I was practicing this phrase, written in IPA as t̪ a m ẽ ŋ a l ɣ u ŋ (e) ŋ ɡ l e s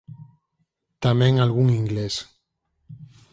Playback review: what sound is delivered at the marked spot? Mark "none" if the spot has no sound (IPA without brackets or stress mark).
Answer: i